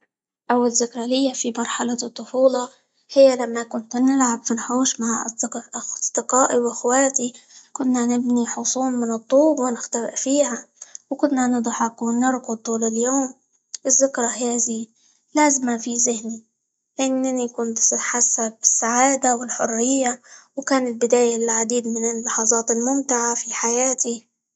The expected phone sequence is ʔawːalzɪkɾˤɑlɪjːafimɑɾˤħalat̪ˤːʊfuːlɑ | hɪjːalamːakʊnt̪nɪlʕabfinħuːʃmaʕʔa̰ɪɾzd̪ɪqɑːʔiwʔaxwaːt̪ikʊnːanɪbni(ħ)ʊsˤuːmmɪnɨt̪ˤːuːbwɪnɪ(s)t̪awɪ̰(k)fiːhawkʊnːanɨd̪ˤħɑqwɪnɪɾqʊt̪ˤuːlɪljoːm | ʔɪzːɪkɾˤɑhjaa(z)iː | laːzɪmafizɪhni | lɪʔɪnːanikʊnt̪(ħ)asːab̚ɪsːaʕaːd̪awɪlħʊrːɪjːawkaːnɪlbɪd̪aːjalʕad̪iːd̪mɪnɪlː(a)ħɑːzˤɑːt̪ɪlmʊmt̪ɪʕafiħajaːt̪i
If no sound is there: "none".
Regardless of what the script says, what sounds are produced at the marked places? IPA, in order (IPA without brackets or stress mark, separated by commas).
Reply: ħ, x, ʔ, z, ħ, ɑ